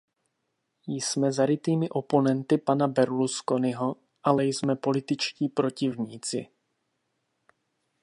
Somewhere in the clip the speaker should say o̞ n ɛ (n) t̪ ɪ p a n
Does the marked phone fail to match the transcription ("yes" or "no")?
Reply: no